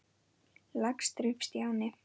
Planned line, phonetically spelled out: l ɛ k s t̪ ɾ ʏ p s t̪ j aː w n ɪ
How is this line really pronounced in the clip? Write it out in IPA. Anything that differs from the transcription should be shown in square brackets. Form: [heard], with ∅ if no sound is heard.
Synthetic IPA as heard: l [a] k s t̪ ɾ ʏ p s t̪ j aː w n ɪ